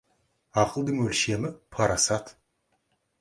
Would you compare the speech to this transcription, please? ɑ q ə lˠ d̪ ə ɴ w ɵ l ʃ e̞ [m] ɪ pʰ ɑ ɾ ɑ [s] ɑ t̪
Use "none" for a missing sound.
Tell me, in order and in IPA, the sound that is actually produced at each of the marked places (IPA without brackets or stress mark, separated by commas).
m, s